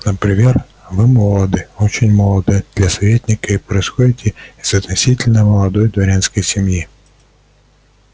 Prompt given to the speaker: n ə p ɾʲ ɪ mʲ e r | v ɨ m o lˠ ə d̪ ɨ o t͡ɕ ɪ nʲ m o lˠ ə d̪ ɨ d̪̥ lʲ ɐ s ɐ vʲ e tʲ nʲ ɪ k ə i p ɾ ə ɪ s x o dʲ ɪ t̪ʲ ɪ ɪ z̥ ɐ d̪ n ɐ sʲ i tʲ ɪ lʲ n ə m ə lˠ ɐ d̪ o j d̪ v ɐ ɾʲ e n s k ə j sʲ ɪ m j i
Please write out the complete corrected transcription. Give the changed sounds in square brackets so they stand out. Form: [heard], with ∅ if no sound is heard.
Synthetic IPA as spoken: n ə p ɾʲ ɪ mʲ e r | v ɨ m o lˠ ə d̪ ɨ o t͡ɕ ɪ nʲ m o lˠ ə d̪ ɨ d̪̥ lʲ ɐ s ɐ vʲ e tʲ nʲ ɪ k ə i p ɾ ə ɪ s x o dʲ ɪ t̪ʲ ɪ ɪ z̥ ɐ [t̪] n ɐ sʲ i tʲ ɪ lʲ n ə m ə lˠ ɐ d̪ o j d̪ v ɐ ɾʲ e n s k ə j sʲ ɪ m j i

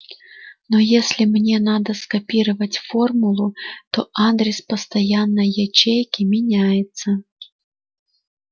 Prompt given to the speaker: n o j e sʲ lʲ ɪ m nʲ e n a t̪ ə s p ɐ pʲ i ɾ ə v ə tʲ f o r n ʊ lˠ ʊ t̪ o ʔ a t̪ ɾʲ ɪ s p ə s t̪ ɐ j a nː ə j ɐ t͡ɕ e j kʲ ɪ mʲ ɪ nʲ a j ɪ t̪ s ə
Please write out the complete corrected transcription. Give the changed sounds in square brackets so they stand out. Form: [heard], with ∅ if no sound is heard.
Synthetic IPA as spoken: n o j e sʲ lʲ ɪ m nʲ e n a [d̪] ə s [k] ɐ pʲ i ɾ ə v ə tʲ f o r [m] ʊ lˠ ʊ t̪ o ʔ a [d̪] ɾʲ ɪ s p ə s t̪ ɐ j a nː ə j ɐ t͡ɕ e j kʲ ɪ mʲ ɪ nʲ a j ɪ t̪ s ə

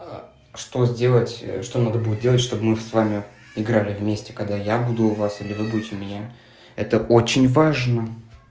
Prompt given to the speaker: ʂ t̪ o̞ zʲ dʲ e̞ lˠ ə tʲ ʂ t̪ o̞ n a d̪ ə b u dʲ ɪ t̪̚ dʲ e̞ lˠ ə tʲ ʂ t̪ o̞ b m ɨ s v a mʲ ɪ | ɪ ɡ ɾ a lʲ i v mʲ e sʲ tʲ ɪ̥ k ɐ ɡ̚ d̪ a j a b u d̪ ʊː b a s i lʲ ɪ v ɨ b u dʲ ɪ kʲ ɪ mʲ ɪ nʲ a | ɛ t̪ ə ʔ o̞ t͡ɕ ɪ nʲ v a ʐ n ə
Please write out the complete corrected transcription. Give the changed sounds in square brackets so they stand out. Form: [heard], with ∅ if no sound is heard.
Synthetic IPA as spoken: ʂ t̪ o̞ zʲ dʲ e̞ lˠ ə tʲ ʂ t̪ o̞ n a d̪ ə b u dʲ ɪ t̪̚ dʲ e̞ lˠ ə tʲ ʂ t̪ o̞ b m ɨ s v a mʲ ɪ | ɪ ɡ ɾ a lʲ [ɪ] v mʲ e sʲ tʲ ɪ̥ k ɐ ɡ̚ d̪ a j a b u d̪ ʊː [v] a s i lʲ ɪ v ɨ b u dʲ ɪ [tʲ] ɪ mʲ ɪ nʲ a | ɛ t̪ ə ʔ o̞ t͡ɕ ɪ nʲ v a ʐ n ə

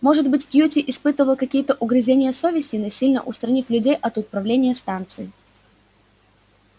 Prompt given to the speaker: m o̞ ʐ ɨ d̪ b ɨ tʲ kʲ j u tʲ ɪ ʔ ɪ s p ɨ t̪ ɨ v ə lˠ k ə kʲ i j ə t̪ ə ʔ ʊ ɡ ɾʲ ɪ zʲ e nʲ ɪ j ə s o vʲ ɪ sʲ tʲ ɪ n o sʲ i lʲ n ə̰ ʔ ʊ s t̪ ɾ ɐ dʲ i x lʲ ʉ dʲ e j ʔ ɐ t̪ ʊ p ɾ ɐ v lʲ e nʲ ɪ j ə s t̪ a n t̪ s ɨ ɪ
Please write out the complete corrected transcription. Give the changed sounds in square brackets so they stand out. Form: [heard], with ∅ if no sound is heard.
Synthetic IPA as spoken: m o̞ ʐ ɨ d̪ b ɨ tʲ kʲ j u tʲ ɪ ʔ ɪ s p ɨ t̪ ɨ v ə lˠ k [ɐ] kʲ i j ə t̪ ə ʔ ʊ ɡ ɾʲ ɪ zʲ e nʲ ɪ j ə s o vʲ ɪ sʲ tʲ ɪ n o sʲ i lʲ n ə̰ ʔ ʊ s t̪ ɾ ɐ [nʲ] i [f] lʲ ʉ dʲ e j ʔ ɐ t̪ ʊ p ɾ ɐ v lʲ e nʲ ɪ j ə s t̪ a n t̪ s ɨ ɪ

